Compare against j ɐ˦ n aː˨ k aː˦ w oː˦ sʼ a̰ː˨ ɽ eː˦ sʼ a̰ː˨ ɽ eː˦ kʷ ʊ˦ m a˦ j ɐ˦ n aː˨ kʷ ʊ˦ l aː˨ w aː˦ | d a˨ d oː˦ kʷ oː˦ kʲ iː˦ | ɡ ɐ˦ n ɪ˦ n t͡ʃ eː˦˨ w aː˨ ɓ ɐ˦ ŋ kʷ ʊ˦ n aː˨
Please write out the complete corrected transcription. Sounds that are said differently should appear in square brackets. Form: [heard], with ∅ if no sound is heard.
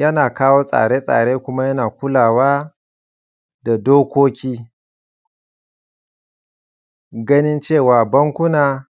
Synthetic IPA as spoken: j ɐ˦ n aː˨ k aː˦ w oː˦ sʼ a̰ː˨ ɽ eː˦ sʼ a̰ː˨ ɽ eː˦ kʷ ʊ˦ m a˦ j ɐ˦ n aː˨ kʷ ʊ˦ l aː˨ w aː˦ | d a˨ d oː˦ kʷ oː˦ kʲ iː˦ | ɡ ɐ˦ n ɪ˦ n t͡ʃ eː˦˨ w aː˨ [b] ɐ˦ ŋ kʷ ʊ˦ n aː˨